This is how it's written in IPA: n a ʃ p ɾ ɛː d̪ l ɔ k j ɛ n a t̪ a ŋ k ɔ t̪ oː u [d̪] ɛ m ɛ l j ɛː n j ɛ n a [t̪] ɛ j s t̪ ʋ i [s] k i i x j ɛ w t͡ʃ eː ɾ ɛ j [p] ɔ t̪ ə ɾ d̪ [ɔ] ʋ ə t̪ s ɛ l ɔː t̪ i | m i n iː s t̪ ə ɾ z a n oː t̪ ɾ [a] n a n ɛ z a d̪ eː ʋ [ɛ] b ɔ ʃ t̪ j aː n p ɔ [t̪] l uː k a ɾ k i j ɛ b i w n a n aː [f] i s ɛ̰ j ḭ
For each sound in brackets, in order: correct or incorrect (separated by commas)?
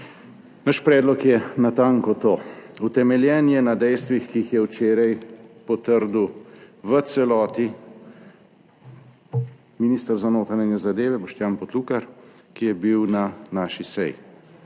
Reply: incorrect, incorrect, incorrect, correct, incorrect, correct, correct, correct, incorrect